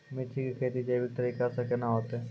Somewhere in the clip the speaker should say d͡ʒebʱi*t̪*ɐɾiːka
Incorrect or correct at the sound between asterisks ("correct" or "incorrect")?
correct